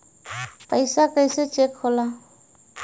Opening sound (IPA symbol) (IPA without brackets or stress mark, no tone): p